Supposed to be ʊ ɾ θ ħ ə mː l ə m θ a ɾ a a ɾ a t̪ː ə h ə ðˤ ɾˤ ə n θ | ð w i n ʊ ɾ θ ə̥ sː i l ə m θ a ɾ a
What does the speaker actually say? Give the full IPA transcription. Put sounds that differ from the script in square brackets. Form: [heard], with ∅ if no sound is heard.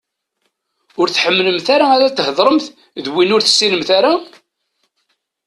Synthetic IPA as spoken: ʊ ɾ θ ħ ə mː l ə m θ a ɾ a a ɾ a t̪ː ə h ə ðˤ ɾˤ ə [m] θ | ð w i n ʊ ɾ θ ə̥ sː i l ə m θ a ɾ a